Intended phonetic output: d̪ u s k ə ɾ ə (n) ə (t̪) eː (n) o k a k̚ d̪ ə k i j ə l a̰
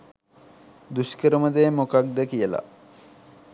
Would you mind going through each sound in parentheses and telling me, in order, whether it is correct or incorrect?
incorrect, incorrect, incorrect

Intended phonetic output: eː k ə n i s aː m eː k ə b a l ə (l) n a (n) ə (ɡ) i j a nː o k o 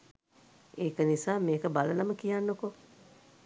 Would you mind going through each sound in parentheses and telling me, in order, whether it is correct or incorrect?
incorrect, incorrect, incorrect

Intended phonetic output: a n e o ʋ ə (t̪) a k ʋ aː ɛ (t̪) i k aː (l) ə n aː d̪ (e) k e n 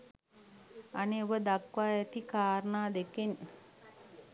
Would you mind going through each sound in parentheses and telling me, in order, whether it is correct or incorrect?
incorrect, correct, incorrect, correct

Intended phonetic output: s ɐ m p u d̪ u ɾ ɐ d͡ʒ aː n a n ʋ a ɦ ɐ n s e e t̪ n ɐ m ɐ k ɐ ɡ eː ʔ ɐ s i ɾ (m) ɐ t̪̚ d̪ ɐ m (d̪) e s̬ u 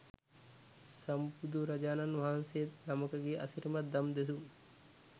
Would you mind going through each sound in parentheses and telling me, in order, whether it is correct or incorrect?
correct, correct

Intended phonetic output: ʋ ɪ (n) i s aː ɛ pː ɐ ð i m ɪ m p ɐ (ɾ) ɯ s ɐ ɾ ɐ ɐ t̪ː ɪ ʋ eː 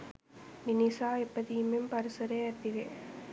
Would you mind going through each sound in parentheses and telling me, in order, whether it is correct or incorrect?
correct, correct

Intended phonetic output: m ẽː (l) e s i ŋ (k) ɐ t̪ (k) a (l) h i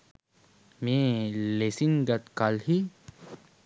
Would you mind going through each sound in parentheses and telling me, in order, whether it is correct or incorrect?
correct, incorrect, correct, correct

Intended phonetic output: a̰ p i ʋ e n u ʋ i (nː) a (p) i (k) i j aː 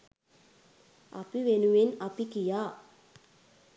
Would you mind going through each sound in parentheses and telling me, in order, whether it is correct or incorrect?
incorrect, correct, correct

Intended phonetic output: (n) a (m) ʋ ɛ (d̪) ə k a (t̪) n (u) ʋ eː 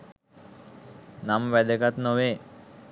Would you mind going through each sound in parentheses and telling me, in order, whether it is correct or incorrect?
correct, correct, correct, correct, incorrect

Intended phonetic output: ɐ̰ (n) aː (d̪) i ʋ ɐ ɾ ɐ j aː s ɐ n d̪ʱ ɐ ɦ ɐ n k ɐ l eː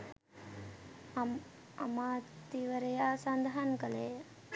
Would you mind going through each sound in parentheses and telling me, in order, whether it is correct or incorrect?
incorrect, incorrect

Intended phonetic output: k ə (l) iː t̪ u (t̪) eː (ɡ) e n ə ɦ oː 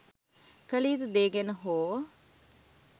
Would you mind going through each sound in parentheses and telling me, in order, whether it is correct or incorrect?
correct, incorrect, correct

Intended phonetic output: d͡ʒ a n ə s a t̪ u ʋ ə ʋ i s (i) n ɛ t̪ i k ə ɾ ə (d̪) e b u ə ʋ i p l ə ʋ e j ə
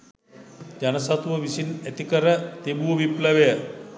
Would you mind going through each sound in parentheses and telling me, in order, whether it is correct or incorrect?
correct, incorrect

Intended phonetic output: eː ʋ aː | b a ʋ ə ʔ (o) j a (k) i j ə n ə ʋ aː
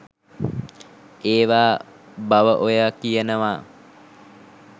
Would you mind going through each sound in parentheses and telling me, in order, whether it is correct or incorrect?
correct, correct

